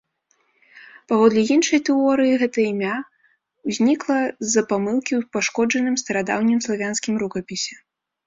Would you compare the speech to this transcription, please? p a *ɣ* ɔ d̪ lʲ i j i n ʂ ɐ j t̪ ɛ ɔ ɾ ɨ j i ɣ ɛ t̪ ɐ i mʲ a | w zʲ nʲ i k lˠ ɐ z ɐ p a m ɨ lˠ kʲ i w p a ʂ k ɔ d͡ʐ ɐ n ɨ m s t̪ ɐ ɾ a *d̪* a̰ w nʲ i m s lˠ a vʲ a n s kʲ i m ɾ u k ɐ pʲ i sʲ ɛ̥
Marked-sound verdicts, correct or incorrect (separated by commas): incorrect, correct